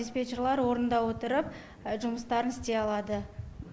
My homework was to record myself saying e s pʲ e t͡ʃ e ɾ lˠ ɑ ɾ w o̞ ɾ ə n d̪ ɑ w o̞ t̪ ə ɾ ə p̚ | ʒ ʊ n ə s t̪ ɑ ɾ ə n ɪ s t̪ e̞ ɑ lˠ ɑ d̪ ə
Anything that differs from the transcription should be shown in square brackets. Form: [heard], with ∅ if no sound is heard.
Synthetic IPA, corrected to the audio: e s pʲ e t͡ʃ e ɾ lˠ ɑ ɾ w o̞ ɾ ə n d̪ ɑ w o̞ t̪ ə ɾ ə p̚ | ʒ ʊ [m] ə s t̪ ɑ ɾ ə n ɪ s t̪ e̞ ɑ lˠ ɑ d̪ ə